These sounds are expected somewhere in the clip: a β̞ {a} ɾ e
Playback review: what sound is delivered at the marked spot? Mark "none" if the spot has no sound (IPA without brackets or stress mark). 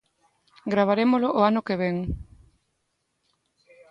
a